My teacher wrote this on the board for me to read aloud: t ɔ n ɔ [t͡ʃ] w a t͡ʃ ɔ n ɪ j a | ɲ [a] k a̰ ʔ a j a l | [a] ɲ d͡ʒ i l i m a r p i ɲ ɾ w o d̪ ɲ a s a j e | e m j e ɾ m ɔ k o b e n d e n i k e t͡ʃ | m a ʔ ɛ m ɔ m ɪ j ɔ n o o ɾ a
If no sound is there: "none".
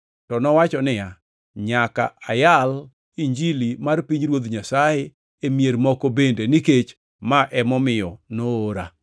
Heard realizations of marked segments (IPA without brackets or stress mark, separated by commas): none, a, i